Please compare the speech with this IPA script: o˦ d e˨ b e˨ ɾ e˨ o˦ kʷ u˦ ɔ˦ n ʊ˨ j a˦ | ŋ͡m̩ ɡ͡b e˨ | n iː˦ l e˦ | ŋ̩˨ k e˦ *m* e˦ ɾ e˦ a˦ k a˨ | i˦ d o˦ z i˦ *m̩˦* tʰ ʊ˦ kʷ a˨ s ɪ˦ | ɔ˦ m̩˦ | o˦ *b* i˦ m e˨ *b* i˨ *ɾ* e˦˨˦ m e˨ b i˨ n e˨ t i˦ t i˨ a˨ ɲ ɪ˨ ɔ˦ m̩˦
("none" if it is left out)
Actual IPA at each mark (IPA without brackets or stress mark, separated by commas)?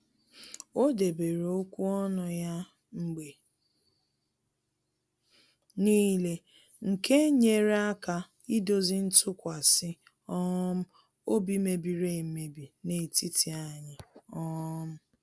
ɲ, n̩˦, b, b, ɾ